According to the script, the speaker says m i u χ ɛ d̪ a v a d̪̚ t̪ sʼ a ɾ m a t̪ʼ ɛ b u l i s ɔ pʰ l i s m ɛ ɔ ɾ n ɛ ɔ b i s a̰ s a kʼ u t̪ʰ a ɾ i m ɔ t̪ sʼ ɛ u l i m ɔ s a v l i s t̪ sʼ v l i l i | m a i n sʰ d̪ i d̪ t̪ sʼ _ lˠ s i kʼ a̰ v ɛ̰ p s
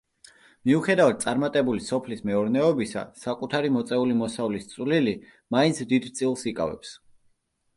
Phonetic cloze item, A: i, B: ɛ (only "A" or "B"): A